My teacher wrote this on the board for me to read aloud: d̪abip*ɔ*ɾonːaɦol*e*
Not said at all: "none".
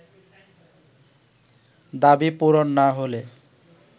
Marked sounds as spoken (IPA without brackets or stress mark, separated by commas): u, e